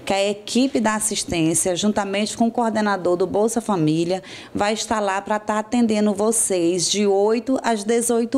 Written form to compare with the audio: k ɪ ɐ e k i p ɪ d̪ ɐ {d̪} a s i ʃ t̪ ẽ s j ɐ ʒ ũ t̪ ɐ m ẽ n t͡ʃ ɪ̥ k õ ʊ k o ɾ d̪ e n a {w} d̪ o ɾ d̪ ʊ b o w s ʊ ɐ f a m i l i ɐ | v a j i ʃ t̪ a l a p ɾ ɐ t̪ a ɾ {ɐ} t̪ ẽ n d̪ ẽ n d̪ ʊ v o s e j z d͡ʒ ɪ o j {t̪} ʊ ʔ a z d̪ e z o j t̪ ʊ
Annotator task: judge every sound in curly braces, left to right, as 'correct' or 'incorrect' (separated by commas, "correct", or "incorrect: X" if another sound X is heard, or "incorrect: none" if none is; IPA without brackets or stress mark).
incorrect: none, incorrect: none, incorrect: a, correct